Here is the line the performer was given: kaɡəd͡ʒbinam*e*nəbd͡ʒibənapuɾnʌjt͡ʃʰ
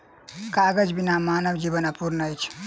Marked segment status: incorrect: a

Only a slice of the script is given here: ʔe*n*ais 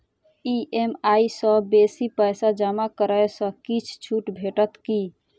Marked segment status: incorrect: m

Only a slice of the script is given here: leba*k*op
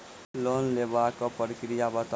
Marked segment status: correct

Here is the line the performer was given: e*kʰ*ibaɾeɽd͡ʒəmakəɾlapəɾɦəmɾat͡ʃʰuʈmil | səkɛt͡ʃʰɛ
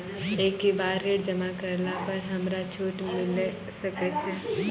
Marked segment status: incorrect: k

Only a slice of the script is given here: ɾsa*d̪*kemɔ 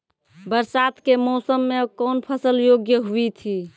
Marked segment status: incorrect: t̪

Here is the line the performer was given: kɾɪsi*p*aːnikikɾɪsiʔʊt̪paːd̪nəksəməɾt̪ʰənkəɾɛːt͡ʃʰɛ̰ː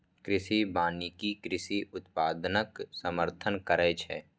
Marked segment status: incorrect: b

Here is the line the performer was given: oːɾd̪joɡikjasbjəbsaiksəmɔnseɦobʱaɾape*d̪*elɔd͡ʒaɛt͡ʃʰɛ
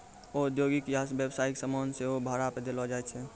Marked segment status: correct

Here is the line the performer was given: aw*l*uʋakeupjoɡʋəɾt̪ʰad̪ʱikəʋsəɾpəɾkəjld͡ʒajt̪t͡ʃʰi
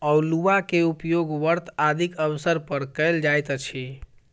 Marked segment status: correct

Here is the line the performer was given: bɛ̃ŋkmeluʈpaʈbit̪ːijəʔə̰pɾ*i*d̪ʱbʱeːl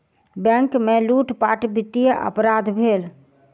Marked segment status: incorrect: a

